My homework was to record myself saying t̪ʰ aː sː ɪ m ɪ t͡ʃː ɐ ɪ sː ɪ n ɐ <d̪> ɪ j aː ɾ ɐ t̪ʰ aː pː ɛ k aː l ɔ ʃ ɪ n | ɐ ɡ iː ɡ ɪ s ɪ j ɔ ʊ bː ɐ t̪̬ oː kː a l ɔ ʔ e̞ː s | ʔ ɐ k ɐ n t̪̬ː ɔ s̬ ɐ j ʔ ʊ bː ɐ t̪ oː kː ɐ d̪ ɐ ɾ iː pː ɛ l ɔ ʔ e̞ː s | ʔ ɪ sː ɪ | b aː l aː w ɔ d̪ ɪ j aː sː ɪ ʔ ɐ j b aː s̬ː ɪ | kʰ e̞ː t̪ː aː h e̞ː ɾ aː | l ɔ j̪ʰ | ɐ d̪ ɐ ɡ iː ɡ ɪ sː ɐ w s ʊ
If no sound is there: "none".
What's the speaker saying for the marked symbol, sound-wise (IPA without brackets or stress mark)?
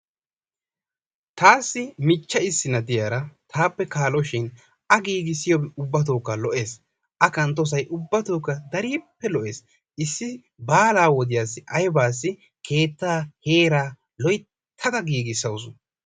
d̪